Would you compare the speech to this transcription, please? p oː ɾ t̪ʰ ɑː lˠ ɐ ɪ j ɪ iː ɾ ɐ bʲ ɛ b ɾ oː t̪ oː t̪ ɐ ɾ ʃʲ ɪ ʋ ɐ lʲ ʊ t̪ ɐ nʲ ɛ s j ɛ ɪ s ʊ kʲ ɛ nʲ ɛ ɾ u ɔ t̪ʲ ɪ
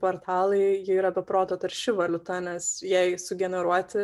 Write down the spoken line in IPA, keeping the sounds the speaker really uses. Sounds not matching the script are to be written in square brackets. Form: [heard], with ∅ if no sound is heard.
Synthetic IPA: p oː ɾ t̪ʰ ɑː lˠ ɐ ɪ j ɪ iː ɾ ɐ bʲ ɛ [p] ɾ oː t̪ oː t̪ ɐ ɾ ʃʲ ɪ ʋ ɐ lʲ ʊ t̪ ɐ nʲ ɛ s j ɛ ɪ s ʊ [ɡʲ] ɛ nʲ ɛ ɾ u ɔ t̪ʲ ɪ